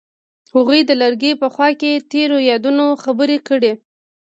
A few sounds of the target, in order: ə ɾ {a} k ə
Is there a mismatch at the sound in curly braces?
yes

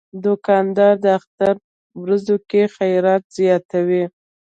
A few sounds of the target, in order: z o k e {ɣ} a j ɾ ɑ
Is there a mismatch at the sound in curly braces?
yes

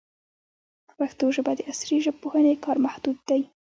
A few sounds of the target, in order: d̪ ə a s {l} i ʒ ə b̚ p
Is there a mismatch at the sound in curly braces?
yes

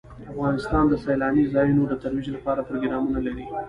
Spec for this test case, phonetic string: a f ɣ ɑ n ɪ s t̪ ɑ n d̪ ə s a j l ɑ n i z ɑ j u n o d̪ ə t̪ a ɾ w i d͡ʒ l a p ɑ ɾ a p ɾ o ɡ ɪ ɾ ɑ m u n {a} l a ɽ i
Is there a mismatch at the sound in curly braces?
no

